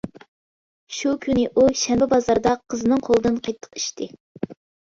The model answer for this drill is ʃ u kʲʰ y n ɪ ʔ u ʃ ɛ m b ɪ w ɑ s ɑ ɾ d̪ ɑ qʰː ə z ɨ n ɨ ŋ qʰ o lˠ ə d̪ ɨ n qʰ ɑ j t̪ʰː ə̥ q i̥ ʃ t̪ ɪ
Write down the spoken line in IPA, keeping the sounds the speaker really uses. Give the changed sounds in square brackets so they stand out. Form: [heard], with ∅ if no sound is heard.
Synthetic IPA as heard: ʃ u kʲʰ y n ɪ ʔ u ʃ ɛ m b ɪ [b] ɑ [z] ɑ ɾ d̪ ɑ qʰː ə z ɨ n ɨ ŋ qʰ o lˠ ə d̪ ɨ n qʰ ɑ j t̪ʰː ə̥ q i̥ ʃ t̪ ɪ